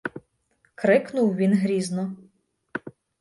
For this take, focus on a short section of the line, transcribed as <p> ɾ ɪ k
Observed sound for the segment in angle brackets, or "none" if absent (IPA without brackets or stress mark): k